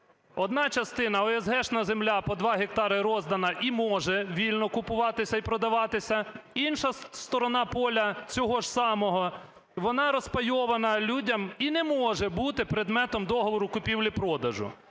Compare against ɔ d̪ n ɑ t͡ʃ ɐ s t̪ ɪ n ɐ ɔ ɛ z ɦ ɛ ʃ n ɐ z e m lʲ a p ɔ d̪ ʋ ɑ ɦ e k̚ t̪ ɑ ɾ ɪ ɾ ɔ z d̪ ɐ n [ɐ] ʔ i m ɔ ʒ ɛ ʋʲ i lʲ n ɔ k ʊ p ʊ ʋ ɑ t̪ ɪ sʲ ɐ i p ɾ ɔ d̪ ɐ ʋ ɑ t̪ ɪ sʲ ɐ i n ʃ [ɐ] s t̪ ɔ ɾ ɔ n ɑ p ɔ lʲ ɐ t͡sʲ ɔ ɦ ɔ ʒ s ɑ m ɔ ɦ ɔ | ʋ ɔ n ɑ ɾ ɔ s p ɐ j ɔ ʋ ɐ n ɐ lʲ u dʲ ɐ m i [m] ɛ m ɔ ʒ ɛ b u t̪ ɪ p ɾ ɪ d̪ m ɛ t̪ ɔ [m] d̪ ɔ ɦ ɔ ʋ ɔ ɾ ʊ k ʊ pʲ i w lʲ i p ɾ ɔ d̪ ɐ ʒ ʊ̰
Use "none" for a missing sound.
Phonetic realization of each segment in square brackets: ɐ, ɐ, n, m

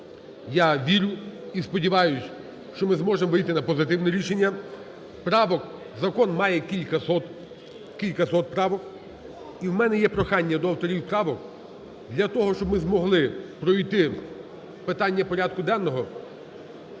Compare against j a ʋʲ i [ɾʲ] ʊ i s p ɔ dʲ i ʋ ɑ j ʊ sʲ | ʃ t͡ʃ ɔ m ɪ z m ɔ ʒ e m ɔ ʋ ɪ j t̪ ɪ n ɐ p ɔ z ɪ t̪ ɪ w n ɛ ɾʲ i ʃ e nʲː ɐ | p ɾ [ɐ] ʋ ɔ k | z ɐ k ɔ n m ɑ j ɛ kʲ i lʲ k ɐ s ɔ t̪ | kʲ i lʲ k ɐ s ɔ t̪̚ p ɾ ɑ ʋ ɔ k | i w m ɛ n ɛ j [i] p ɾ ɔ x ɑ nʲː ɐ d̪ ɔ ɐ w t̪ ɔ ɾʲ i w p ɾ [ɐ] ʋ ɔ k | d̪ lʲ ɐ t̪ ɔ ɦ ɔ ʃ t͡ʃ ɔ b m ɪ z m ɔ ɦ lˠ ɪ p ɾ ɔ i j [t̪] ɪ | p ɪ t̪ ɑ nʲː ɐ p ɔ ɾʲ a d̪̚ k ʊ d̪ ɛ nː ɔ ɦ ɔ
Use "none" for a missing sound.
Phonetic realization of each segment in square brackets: ɾʲ, ɑ, ɛ, ɑ, t̪

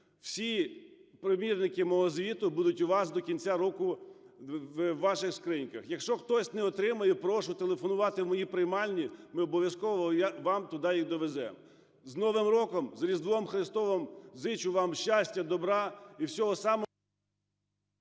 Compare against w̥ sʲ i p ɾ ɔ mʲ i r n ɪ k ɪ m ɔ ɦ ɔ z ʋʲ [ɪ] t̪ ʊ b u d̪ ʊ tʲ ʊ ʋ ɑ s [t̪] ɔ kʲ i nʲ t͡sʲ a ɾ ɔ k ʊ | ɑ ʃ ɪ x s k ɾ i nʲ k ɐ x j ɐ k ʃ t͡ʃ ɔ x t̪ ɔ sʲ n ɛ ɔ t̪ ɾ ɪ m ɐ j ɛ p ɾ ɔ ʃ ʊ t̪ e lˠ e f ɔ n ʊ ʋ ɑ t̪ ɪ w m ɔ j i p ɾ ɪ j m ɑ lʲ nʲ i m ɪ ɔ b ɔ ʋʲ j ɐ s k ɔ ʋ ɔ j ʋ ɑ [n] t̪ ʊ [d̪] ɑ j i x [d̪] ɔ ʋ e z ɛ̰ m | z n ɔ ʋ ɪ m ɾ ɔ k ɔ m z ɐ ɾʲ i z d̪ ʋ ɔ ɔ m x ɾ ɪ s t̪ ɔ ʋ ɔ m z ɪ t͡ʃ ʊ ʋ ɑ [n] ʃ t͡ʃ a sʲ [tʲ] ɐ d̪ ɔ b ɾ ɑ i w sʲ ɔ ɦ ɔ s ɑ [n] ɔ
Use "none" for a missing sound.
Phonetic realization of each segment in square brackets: i, d̪, m, d̪, d̪, m, tʲ, m

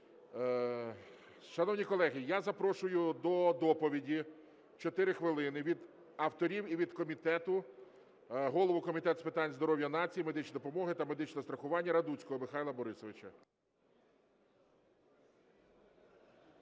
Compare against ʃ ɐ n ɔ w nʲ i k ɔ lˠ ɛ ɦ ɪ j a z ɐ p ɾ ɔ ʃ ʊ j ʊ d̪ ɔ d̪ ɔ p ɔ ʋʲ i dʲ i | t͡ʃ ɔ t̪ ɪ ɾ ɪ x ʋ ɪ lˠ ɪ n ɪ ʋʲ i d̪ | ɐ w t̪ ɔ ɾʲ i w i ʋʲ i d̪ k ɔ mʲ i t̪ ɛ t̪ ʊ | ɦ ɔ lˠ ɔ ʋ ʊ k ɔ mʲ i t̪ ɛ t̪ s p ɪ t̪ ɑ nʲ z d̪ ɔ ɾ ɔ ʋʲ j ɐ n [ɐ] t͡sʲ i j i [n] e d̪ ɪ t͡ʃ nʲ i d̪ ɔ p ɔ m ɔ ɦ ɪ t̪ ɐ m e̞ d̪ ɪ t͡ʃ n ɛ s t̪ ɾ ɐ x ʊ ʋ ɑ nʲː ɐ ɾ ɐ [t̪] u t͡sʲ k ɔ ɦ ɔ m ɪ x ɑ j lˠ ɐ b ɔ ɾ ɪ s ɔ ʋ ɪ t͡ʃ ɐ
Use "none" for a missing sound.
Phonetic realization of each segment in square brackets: ɑ, m, d̪

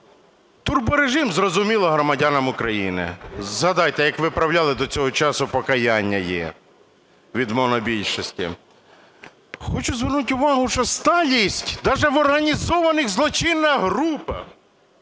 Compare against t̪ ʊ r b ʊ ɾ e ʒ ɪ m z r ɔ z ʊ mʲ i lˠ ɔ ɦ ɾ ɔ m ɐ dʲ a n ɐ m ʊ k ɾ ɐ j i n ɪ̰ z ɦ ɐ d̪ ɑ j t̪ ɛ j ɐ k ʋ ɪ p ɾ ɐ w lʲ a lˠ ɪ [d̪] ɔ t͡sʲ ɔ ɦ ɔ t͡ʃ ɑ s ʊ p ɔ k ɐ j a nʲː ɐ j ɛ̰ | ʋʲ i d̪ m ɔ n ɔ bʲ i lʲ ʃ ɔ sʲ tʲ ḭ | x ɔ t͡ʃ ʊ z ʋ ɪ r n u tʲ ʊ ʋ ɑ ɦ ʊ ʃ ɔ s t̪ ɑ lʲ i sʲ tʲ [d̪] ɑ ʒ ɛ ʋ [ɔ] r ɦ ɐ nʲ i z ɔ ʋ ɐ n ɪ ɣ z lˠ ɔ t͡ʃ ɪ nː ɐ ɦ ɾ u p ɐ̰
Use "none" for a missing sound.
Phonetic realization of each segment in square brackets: d̪, d̪, ɔ

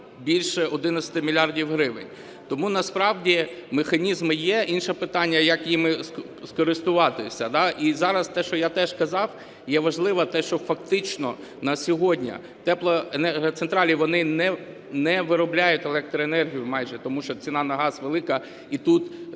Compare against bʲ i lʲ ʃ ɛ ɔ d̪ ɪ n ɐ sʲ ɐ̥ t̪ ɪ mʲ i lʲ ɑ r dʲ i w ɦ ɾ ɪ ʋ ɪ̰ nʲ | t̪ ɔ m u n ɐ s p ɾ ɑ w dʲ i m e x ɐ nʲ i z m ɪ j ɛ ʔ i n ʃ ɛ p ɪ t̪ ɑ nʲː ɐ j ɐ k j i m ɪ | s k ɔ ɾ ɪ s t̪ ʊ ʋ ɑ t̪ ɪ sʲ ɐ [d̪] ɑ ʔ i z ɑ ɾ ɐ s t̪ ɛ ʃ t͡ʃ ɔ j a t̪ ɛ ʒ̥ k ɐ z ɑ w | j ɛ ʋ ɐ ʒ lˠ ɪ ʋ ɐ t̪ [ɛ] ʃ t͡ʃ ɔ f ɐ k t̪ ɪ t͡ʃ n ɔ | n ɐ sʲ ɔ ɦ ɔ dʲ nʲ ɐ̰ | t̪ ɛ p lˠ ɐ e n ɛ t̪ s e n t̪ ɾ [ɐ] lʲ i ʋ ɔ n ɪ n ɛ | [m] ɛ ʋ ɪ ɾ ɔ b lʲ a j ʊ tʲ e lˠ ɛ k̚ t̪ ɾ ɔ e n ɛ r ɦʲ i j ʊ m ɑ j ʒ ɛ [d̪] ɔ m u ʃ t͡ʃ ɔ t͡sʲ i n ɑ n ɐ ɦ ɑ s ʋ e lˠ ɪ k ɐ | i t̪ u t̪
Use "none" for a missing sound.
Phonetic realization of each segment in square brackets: d̪, ɛ, ɑ, n, t̪

